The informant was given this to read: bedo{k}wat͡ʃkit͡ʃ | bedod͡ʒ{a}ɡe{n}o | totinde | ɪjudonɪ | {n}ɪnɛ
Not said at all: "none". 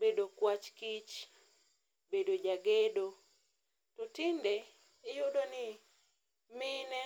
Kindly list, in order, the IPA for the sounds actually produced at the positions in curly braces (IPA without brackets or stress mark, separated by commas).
k, a, d, m